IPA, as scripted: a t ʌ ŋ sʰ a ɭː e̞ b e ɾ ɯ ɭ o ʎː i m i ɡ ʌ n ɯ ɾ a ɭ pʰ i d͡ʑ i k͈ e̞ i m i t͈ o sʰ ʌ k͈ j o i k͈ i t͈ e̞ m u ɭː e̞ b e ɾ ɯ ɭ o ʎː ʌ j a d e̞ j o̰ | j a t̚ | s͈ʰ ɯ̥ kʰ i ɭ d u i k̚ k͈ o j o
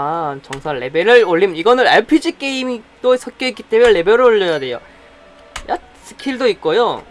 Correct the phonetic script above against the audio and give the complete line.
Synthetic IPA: a t͡ɕ ʌ ŋ sʰ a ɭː e̞ b e ɾ ɯ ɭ o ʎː i m i ɡ ʌ n ɯ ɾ a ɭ pʰ i d͡ʑ i k͈ e̞ i m i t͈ o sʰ ʌ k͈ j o i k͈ i t͈ e̞ m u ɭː e̞ b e ɾ ɯ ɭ o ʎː ʌ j a d e̞ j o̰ | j a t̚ | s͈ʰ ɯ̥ kʰ i ɭ d o i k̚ k͈ o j o